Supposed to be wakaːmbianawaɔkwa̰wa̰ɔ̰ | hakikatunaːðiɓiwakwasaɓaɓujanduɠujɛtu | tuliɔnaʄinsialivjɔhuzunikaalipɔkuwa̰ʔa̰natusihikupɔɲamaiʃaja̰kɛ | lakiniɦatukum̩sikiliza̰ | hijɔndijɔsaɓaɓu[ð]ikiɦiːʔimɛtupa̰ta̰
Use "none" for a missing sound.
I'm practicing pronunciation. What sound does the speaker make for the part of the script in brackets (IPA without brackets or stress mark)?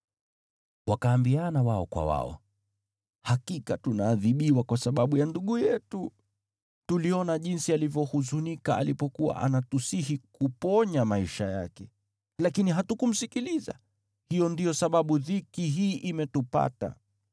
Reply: ð